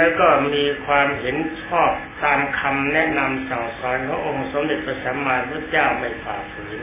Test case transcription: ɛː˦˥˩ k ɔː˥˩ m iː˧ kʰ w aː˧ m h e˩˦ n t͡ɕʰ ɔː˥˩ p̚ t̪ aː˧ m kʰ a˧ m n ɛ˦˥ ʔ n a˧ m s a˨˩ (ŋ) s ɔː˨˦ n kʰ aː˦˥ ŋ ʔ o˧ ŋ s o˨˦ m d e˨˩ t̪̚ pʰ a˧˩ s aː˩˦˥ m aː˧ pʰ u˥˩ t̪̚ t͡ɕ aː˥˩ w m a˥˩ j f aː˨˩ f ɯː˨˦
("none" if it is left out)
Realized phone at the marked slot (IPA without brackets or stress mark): ŋ